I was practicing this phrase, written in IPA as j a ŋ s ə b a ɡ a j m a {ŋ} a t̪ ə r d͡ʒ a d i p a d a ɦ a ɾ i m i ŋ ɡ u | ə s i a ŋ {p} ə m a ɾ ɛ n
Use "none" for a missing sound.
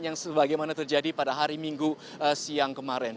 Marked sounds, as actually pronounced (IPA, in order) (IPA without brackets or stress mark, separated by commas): n, k